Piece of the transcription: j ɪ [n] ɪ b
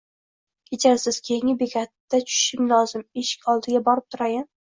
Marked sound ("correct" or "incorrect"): incorrect